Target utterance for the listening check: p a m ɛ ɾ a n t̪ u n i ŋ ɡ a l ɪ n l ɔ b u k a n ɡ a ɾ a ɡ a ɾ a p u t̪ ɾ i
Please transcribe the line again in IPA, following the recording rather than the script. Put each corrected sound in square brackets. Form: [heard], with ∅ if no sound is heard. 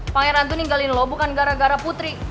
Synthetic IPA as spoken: p a [ŋ] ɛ ɾ a n t̪ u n i ŋ ɡ a l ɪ n l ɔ b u k a n ɡ a ɾ a ɡ a ɾ a p u t̪ ɾ i